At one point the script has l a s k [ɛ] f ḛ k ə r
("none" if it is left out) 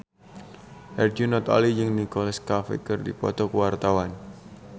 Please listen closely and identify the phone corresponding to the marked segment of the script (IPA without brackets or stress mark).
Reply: a